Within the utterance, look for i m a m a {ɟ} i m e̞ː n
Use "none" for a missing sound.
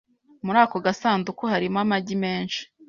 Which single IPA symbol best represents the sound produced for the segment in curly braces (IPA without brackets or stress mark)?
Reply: ɟ